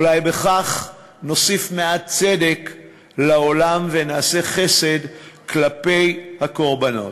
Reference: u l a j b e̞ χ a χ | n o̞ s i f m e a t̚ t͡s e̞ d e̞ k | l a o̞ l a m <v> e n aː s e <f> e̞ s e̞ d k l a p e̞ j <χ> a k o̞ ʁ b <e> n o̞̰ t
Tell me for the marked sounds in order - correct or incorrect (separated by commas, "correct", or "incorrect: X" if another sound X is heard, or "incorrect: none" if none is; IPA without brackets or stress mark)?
correct, incorrect: χ, incorrect: h, incorrect: a